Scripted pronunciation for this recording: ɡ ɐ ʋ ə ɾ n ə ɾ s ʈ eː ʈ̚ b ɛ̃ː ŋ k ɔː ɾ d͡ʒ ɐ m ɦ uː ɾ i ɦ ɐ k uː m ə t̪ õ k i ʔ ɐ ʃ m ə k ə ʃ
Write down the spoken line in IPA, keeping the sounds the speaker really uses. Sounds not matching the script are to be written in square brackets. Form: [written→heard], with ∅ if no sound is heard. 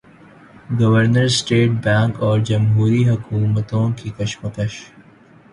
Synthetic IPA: ɡ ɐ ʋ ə ɾ n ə ɾ s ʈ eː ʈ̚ b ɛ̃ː ŋ k ɔː ɾ d͡ʒ ɐ m ɦ uː ɾ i ɦ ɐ k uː m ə t̪ õ k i [ʔ→k] ɐ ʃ m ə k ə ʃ